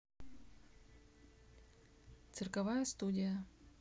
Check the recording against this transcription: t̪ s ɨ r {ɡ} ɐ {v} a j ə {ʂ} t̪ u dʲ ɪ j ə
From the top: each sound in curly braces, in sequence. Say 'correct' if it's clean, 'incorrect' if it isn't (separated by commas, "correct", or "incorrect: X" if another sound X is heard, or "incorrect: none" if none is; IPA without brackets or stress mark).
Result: incorrect: k, correct, incorrect: s